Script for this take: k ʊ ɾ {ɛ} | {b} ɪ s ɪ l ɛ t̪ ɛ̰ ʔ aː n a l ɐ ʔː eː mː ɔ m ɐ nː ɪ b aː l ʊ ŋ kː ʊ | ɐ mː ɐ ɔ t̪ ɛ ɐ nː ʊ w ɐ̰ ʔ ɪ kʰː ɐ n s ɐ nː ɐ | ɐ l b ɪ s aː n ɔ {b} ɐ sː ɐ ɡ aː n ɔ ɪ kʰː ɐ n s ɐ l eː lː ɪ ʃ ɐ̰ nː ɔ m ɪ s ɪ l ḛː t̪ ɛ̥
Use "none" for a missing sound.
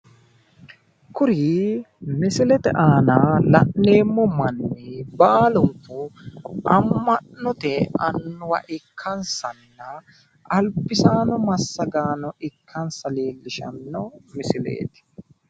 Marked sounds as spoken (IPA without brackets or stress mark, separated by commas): i, m, m